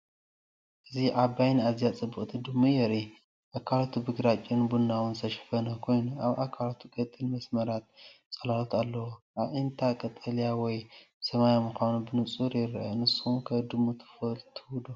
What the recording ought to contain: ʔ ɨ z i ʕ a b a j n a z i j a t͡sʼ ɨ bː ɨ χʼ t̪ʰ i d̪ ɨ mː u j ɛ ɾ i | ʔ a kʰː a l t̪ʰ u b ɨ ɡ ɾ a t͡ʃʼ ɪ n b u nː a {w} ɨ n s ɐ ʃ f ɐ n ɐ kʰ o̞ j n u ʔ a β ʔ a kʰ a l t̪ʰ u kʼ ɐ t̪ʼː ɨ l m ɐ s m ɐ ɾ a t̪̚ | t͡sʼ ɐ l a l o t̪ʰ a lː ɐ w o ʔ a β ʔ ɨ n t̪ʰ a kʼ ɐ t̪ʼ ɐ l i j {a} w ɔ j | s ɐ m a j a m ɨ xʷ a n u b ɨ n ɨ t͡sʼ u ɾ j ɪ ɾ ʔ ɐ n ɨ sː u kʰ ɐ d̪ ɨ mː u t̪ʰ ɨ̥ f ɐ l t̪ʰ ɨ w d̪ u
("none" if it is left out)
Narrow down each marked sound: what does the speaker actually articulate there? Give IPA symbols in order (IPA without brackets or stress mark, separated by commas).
w, a